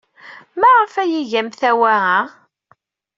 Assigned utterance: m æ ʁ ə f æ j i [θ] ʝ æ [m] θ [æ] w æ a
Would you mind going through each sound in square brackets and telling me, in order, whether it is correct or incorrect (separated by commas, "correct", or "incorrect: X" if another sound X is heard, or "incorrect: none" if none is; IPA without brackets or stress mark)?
incorrect: none, correct, correct